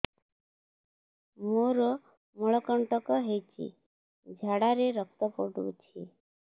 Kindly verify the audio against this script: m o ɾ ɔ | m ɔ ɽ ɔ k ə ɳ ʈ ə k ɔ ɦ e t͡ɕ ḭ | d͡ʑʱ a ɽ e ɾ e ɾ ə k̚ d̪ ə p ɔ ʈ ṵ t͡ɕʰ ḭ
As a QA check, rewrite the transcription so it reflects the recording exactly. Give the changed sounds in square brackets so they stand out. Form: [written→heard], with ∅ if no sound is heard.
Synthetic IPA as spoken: m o ɾ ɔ | m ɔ [ɽ→ɭ] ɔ k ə ɳ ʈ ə k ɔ ɦ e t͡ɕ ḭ | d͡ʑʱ a ɽ [e→a] ɾ e ɾ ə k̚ [d̪→t̪] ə p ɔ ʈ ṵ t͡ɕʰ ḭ